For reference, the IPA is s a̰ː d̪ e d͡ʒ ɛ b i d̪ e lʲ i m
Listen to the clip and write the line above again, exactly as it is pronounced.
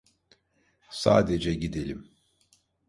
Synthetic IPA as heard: s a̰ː d̪ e d͡ʒ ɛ ɟ i d̪ e lʲ i m